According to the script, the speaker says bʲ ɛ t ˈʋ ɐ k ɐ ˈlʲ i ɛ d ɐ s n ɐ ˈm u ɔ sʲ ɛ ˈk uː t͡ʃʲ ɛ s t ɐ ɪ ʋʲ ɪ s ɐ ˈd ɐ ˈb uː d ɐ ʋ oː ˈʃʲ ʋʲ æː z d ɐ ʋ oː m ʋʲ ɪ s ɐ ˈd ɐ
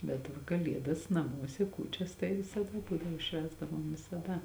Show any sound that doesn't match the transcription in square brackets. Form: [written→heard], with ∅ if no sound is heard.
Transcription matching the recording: bʲ ɛ t ˈʋ ɐ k ɐ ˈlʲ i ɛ d ɐ s n ɐ ˈm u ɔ sʲ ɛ ˈk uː t͡ʃʲ ɛ s t ɐ ɪ ʋʲ ɪ s ɐ ˈd ɐ ˈb uː d ɐ ʋ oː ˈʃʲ ʋʲ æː z d ɐ ʋ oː m ʋʲ ɪ s ɐ ˈd ɐ